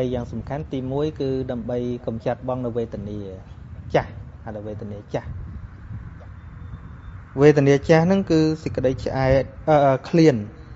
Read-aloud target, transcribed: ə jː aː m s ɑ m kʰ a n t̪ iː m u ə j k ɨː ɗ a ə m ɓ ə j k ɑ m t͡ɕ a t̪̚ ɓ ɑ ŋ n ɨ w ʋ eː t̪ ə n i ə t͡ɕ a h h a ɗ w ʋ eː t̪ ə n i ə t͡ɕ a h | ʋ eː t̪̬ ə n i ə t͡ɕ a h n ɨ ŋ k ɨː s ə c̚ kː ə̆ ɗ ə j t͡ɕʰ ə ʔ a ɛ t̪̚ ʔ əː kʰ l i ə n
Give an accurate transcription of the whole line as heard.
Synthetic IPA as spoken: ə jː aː ŋ s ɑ m kʰ a n t̪ iː m u ə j k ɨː ɗ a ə m ɓ ə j k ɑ m t͡ɕ a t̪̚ ɓ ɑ ŋ n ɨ w ʋ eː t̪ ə n i ə t͡ɕ a h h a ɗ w ʋ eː t̪ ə n i ə t͡ɕ a h | ʋ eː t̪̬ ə n i ə t͡ɕ a h n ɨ ŋ k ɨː s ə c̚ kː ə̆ ɗ ə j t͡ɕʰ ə ʔ a ɛ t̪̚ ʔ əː kʰ l i ə n